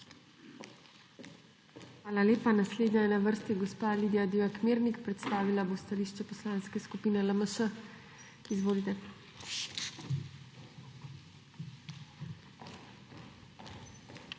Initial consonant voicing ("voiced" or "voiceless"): voiceless